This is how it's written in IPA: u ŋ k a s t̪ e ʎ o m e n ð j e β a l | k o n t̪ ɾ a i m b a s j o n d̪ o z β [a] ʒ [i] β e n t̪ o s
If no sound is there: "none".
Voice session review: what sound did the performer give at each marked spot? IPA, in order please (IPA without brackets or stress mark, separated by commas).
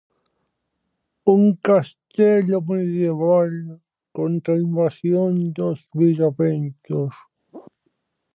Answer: i, a